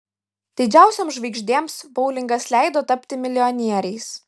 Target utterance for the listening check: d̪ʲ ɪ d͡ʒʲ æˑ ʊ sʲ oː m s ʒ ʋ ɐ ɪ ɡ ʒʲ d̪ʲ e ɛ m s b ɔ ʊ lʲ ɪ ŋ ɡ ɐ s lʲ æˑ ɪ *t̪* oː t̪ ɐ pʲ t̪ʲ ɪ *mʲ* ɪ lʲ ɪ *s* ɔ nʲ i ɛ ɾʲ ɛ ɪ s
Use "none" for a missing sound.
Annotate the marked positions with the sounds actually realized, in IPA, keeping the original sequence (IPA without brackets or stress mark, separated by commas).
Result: d̪, mʲ, none